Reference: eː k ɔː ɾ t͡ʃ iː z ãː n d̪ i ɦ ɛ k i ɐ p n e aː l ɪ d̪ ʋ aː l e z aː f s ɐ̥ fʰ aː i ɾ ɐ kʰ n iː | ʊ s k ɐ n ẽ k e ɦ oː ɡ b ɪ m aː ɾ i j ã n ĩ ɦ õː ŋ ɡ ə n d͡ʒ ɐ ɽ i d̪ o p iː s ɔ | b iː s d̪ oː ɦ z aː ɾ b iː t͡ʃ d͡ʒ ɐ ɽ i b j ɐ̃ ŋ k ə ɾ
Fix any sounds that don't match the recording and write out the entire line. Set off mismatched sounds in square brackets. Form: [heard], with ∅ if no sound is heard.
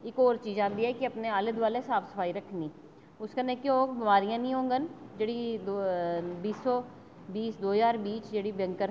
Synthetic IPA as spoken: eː k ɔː ɾ t͡ʃ iː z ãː n d̪ i ɦ ɛ k i ɐ p n e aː l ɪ d̪ ʋ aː l e [s] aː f s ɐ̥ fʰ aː i ɾ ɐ kʰ n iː | ʊ s k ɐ n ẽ k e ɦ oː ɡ b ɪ m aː ɾ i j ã n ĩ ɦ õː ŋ ɡ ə n d͡ʒ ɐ ɽ i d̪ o [b] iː s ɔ | b iː s d̪ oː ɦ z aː ɾ b iː t͡ʃ d͡ʒ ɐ ɽ i b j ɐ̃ ŋ k ə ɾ